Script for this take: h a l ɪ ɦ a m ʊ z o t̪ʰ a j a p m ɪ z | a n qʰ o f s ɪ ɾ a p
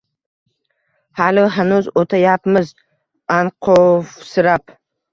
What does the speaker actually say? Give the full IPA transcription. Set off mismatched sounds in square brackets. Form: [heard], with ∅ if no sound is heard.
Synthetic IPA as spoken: h a l ɪ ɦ a [n] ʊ z o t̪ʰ a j a p m ɪ z | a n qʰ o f s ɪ ɾ a p